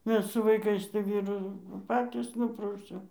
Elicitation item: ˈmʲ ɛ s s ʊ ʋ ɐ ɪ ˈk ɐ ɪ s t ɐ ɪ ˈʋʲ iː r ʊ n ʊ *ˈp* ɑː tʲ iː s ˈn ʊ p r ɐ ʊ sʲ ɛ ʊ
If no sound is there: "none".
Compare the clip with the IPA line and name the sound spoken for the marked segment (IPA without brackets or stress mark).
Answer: p